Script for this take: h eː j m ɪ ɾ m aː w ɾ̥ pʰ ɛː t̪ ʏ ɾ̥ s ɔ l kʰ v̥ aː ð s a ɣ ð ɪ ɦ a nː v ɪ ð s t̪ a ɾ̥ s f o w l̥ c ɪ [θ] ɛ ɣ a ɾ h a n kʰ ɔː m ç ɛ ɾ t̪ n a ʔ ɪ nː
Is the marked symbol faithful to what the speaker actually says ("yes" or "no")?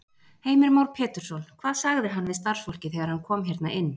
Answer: yes